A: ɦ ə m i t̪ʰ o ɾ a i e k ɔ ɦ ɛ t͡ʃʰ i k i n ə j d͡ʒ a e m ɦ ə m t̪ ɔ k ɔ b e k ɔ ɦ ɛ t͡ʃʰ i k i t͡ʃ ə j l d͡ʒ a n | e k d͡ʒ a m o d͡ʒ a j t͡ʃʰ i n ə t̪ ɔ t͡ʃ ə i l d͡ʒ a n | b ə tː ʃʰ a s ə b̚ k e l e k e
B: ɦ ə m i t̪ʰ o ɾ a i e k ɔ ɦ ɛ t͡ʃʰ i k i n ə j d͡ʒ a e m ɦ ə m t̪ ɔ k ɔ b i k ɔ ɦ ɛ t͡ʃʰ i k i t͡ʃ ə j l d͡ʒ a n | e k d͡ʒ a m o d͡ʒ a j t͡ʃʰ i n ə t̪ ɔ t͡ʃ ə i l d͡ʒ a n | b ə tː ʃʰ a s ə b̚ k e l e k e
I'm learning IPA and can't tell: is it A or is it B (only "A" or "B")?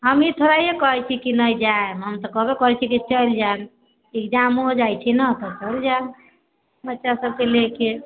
A